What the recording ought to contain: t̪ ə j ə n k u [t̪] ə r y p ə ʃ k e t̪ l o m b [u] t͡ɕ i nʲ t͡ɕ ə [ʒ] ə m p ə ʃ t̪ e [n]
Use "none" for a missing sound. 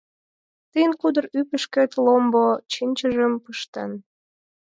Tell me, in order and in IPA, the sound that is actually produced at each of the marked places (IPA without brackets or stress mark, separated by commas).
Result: d̪, o, ʒ, n